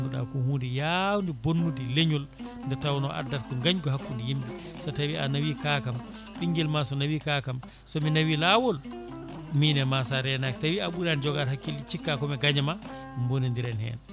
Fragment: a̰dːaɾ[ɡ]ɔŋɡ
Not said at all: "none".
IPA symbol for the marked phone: k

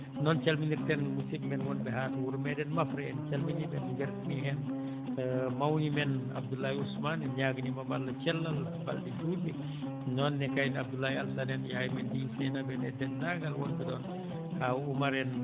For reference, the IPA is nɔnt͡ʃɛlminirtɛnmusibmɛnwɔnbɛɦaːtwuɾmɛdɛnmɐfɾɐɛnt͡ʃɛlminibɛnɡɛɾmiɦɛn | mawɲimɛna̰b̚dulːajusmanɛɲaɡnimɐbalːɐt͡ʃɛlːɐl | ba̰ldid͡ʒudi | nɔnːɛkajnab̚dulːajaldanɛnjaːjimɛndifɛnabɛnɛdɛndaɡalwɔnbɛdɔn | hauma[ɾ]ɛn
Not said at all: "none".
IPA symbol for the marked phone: ɾ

